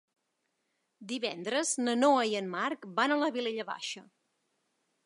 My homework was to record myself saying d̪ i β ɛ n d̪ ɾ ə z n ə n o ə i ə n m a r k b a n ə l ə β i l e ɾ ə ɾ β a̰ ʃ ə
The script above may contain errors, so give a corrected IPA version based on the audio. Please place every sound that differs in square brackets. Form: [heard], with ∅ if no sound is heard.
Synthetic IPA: d̪ i β ɛ n d̪ ɾ ə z n ə n o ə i ə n m a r k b a n ə l ə β i l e [ʎ] ə [∅] β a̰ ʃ ə